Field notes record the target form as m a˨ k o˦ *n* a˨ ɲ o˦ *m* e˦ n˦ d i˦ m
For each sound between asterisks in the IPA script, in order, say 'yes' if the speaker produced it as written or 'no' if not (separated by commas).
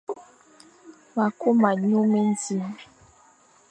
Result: no, yes